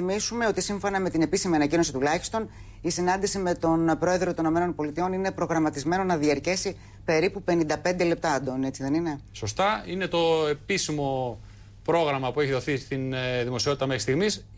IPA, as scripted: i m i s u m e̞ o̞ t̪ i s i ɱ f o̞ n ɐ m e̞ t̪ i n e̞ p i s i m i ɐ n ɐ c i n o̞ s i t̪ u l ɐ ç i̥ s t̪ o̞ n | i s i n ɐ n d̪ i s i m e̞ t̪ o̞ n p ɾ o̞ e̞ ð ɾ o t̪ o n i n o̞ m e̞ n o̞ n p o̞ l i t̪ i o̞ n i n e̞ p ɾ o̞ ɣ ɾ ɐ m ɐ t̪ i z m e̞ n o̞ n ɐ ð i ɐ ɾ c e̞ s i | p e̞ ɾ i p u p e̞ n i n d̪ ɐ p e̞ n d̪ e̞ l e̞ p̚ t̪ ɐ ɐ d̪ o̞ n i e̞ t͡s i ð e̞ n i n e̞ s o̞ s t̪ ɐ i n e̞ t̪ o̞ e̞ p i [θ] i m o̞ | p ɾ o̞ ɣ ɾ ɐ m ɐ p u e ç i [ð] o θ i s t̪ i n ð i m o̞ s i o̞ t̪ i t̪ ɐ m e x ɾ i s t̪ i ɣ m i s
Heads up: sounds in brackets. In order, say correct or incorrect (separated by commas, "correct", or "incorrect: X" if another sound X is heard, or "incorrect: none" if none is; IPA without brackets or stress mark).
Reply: incorrect: s, correct